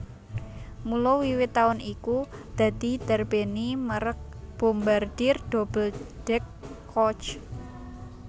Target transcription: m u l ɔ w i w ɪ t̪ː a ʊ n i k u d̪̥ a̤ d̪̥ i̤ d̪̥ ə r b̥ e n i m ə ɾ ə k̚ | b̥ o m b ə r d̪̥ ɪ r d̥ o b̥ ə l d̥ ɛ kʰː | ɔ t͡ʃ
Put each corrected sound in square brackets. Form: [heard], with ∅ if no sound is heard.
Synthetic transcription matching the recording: m u l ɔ w i w ɪ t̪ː a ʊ n i k u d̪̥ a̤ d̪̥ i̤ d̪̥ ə r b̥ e n i m ə ɾ ə k̚ | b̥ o m b [a] r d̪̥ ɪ r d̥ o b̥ ə l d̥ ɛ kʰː | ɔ t͡ʃ